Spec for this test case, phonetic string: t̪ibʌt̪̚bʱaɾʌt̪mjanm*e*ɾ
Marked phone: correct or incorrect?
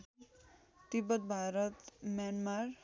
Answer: incorrect: a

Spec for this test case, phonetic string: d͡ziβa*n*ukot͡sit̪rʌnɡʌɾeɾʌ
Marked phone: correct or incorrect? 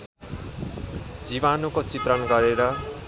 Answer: correct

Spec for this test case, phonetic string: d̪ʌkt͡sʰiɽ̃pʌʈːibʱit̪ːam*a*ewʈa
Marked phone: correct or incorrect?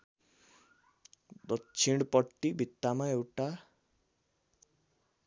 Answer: correct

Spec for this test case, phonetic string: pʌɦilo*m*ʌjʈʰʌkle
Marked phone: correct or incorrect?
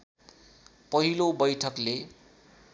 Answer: incorrect: b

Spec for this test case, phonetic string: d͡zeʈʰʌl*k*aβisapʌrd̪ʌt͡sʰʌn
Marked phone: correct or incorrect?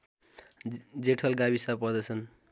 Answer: incorrect: ɡ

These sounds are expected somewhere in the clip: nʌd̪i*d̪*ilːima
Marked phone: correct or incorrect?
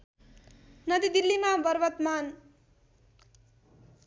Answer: correct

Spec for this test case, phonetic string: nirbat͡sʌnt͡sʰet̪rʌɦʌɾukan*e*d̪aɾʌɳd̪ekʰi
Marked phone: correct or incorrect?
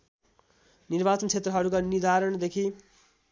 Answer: incorrect: i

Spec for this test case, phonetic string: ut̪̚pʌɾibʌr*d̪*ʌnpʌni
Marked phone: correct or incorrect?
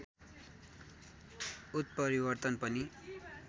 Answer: incorrect: t̪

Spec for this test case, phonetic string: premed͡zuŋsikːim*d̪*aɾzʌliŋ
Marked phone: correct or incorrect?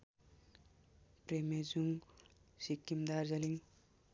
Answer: correct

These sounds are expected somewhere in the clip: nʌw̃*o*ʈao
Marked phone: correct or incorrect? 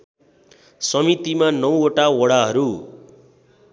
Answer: correct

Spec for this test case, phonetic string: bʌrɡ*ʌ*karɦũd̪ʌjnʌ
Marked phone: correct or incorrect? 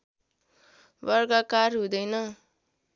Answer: incorrect: a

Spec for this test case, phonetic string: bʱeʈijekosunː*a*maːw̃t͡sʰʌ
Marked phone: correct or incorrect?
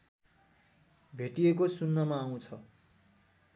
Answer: incorrect: ʌ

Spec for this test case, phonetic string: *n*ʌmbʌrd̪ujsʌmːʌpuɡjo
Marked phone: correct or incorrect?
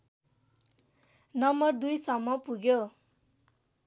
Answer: correct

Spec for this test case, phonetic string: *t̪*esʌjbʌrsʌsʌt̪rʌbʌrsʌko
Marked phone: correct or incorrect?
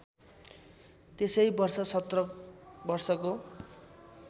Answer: correct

